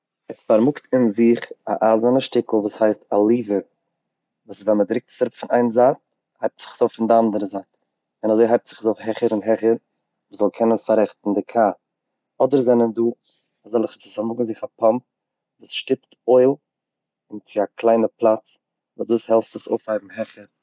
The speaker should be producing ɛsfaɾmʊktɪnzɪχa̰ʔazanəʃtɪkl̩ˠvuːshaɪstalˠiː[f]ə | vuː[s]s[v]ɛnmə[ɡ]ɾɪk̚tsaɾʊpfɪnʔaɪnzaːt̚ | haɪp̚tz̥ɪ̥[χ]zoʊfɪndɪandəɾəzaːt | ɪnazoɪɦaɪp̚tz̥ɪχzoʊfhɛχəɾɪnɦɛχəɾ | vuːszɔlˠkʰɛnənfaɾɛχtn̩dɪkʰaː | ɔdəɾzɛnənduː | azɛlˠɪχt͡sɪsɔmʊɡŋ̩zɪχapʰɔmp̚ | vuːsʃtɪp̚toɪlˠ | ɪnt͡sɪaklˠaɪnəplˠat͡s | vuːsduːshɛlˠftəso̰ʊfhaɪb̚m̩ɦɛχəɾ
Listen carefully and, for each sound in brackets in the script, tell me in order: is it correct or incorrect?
incorrect: v, correct, correct, incorrect: d, correct

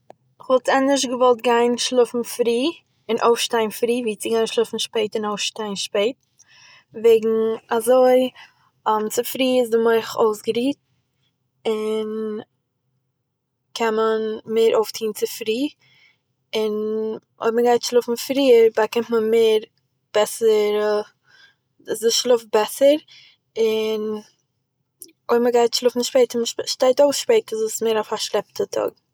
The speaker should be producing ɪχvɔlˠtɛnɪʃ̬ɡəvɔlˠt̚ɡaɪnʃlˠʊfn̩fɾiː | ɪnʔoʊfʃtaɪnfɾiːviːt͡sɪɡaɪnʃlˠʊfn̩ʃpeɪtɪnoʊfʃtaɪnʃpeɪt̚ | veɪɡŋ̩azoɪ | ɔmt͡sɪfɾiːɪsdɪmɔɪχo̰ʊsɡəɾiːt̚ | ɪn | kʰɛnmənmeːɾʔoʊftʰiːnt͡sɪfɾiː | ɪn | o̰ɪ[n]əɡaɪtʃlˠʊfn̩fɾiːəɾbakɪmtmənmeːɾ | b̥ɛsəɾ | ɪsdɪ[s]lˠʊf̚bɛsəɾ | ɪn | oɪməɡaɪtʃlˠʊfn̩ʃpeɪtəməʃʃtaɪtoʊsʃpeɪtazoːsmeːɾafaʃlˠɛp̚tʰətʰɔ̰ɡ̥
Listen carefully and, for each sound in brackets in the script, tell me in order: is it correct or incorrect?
incorrect: m, incorrect: ʃ

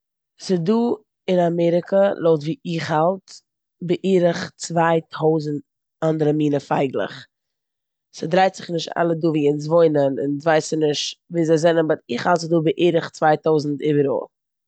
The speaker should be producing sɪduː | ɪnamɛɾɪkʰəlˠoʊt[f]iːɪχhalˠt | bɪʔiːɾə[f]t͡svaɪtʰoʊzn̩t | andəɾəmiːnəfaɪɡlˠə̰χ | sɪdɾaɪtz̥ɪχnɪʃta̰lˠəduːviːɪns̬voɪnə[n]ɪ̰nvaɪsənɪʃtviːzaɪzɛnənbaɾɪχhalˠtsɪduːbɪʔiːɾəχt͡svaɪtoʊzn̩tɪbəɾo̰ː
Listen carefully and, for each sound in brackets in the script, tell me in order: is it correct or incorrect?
incorrect: v, incorrect: χ, correct

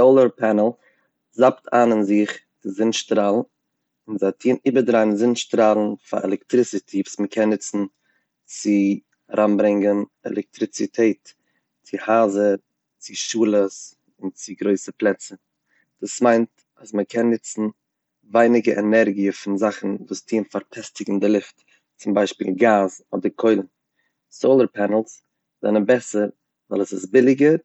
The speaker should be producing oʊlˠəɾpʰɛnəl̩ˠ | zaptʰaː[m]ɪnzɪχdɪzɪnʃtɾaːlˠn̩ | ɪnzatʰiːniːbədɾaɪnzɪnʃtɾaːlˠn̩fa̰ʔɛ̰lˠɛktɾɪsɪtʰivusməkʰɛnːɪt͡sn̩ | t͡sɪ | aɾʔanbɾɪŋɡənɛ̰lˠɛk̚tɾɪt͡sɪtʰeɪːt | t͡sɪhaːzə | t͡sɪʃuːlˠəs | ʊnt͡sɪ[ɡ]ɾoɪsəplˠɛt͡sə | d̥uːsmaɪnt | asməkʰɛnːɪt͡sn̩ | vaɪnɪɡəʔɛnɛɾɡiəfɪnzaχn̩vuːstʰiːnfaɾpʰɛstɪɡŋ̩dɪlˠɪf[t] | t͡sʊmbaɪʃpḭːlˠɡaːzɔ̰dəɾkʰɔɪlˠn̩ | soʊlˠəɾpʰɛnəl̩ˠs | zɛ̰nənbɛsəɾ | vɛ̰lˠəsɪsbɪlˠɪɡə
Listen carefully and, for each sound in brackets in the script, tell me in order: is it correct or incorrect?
incorrect: n, correct, correct

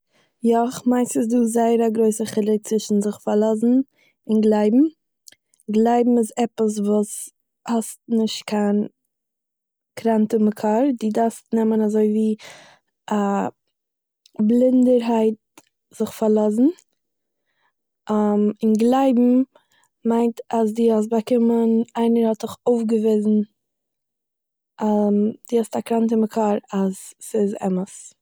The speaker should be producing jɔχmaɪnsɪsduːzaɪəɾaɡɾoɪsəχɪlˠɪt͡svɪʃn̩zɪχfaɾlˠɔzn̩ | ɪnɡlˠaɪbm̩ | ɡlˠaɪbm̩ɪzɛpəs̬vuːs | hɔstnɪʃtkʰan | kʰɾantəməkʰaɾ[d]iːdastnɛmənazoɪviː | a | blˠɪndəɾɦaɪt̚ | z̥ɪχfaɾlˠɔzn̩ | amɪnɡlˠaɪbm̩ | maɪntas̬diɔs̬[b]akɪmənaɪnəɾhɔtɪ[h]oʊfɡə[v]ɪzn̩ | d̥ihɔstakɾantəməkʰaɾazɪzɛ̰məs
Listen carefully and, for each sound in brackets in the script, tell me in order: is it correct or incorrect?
correct, correct, incorrect: χ, correct

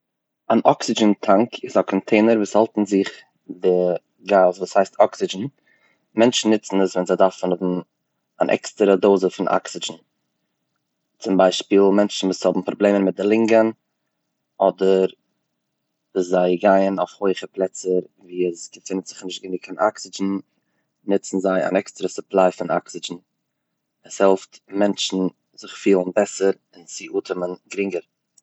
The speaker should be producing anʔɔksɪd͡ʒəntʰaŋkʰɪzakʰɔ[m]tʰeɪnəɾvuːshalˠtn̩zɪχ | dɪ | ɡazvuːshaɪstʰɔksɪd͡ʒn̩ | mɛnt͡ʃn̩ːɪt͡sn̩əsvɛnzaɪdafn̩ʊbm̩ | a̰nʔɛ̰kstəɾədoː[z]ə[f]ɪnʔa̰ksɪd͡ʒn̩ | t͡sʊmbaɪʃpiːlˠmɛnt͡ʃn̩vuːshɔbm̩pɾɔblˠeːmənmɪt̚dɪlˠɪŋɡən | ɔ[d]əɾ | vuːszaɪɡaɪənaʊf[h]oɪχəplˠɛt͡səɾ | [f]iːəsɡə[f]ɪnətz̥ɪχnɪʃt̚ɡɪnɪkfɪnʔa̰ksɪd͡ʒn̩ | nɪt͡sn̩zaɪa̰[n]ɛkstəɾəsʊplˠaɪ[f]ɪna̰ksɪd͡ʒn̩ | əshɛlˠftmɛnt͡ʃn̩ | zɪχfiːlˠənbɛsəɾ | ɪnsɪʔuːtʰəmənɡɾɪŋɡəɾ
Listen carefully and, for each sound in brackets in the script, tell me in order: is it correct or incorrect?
incorrect: n, correct, correct, correct, correct, incorrect: v, correct, correct, correct

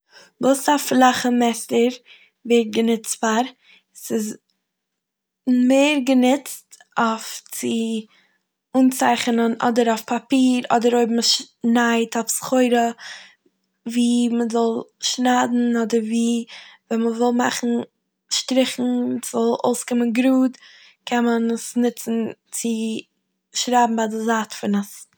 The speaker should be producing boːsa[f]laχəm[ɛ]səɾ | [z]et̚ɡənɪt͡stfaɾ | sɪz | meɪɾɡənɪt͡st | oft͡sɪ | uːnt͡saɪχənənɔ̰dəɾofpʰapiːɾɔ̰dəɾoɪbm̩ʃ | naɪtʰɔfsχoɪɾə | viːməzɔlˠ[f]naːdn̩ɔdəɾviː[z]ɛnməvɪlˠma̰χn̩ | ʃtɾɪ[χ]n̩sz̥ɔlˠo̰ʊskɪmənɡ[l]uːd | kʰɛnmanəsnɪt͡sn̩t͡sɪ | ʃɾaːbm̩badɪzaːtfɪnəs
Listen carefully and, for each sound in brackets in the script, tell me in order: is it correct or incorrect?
correct, correct, incorrect: v, incorrect: ʃ, incorrect: v, correct, incorrect: ɾ

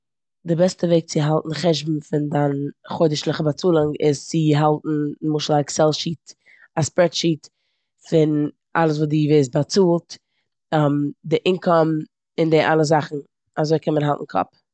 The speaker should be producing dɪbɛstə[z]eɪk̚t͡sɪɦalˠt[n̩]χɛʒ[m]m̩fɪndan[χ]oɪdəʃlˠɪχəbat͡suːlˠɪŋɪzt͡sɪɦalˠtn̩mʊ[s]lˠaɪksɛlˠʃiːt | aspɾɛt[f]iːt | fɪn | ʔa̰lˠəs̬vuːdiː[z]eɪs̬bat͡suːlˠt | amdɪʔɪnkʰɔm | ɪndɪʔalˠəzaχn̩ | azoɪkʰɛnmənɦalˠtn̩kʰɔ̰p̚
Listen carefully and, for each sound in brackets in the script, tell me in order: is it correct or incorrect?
incorrect: v, correct, incorrect: b, correct, incorrect: ʃ, incorrect: ʃ, incorrect: v

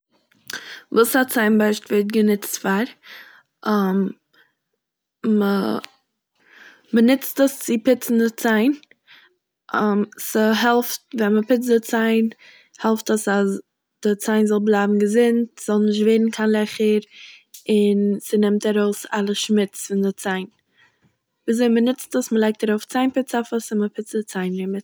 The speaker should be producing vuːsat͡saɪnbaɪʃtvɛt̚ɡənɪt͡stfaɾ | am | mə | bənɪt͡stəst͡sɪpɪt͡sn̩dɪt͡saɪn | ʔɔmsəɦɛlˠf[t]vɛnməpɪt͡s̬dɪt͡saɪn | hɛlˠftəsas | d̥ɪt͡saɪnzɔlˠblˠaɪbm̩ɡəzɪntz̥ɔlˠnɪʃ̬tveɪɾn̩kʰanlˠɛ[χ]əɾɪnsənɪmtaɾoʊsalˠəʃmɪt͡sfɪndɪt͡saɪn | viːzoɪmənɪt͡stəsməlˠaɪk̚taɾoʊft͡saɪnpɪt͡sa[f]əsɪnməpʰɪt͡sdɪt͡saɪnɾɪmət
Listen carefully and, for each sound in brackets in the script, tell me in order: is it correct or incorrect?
correct, correct, correct

